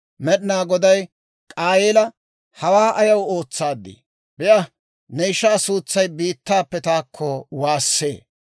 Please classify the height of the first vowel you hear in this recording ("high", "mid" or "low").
mid